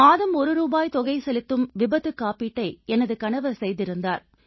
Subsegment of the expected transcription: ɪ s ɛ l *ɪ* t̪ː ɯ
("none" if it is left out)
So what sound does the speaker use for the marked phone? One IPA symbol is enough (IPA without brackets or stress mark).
ɪ